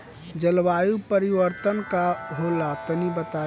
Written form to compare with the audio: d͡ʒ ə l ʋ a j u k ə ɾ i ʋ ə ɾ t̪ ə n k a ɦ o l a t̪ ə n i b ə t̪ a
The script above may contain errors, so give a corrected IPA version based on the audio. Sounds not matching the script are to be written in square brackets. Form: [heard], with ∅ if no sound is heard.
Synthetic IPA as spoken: d͡ʒ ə l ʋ a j u [p] ə ɾ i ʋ ə ɾ t̪ ə n k a ɦ o l a t̪ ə n i b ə t̪ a